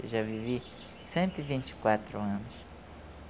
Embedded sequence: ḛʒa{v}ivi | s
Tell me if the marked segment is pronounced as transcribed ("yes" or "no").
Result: yes